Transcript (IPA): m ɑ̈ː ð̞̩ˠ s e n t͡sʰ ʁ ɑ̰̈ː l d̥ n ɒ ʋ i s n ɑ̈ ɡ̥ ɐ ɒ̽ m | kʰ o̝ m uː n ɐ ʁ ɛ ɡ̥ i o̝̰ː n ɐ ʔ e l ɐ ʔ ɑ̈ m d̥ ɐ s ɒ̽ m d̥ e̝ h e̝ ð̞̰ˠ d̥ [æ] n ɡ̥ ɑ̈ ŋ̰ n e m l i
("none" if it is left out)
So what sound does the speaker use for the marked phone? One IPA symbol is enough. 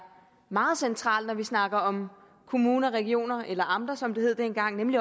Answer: e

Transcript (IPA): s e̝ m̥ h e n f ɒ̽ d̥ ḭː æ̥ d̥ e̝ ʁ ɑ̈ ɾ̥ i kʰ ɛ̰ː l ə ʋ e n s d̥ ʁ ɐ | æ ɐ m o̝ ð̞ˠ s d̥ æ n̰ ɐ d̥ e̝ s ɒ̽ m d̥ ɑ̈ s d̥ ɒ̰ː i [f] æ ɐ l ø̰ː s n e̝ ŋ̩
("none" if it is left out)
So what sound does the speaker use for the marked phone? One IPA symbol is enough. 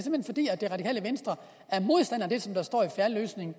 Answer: f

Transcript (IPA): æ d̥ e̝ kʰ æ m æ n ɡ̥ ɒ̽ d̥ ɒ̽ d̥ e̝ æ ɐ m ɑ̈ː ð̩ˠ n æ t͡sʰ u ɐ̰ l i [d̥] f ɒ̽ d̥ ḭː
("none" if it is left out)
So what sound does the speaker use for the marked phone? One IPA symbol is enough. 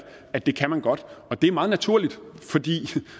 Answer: d̥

